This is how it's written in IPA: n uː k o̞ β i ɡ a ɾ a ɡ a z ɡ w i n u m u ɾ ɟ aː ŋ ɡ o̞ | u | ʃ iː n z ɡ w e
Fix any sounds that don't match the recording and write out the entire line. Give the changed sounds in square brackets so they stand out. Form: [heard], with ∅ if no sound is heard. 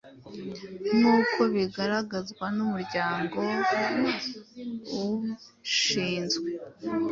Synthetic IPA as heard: n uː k o̞ β i ɡ a ɾ a ɡ a z ɡ w [a] n u m u ɾ ɟ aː ŋ ɡ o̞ | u | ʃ iː n z ɡ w e